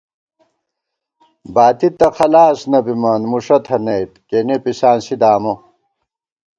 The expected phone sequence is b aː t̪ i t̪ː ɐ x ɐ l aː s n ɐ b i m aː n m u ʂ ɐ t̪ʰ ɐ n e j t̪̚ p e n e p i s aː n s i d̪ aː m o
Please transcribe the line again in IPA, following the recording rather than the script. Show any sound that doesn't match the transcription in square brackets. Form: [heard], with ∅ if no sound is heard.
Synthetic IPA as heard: b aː t̪ i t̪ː ɐ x ɐ l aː s n ɐ b i m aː n m u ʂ ɐ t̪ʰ ɐ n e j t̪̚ [k] e n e p i s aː n s i d̪ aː m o